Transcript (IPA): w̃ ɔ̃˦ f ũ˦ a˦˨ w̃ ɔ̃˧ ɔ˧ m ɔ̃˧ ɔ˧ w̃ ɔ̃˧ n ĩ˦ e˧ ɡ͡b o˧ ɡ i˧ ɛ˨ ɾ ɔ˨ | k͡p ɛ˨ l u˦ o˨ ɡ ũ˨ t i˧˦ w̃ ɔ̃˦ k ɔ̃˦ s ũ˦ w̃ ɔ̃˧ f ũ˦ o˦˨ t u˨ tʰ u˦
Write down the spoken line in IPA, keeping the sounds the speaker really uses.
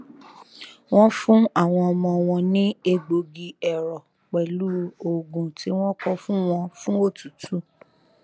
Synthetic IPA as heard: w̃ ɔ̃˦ f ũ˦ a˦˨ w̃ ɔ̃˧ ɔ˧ m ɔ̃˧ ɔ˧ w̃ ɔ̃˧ n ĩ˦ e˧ ɡ͡b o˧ ɡ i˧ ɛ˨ ɾ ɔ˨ | k͡p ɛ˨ l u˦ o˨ ɡ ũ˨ t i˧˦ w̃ ɔ̃˦ k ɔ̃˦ f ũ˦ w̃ ɔ̃˧ f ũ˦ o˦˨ t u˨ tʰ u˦